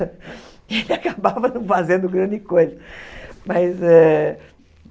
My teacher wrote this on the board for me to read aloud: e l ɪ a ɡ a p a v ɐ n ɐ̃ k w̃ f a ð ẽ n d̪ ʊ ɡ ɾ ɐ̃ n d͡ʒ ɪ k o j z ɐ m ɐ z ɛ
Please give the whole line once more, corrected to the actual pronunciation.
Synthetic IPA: e l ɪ a k a b a v ɐ n ɐ̃ w̃ f a z ẽ n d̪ ʊ ɡ ɾ ɐ̃ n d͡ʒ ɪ k o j z ɐ m ɐ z ɛ